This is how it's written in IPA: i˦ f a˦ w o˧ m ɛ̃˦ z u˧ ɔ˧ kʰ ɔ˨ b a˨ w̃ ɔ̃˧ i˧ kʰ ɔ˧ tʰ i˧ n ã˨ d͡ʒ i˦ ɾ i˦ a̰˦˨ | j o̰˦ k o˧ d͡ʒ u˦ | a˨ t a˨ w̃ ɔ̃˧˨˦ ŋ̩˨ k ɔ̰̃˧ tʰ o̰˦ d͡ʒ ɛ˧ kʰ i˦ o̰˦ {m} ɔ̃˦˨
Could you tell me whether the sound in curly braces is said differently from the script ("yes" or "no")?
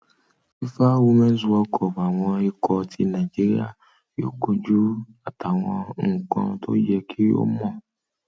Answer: no